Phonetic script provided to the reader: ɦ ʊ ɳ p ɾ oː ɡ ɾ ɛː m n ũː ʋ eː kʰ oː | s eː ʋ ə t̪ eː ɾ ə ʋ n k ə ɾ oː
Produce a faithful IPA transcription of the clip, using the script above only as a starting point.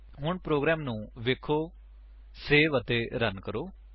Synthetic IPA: ɦ ʊ ɳ p ɾ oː ɡ ɾ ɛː m n ũː ʋ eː kʰ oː | s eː ʋ ə t̪ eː ɾ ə n k ə ɾ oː